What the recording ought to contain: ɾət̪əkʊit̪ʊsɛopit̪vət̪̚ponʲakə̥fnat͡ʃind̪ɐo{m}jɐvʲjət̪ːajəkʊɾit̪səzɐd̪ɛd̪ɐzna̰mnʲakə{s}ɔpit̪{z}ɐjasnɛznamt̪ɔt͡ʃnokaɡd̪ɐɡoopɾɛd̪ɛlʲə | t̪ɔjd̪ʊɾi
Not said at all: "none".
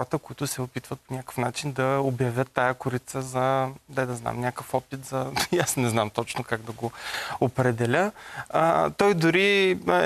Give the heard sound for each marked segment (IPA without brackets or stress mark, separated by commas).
b, f, z